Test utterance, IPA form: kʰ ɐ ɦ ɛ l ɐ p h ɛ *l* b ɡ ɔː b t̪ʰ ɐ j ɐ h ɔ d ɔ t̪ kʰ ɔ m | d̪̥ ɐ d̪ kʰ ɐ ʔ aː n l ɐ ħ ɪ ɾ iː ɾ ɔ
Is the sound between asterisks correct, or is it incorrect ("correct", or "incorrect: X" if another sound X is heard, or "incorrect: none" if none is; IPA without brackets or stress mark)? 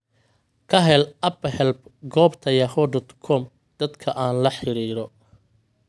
correct